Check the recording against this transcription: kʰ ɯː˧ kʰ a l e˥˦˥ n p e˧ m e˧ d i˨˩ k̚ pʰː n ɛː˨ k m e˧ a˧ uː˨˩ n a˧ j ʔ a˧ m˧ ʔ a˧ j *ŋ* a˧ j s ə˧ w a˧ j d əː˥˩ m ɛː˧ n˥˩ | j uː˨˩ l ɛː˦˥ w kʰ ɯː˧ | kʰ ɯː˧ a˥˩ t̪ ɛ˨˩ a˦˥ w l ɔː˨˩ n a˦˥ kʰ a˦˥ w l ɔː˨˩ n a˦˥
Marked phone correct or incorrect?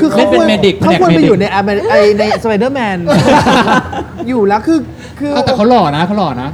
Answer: incorrect